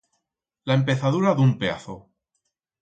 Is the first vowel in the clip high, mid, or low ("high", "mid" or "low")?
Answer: low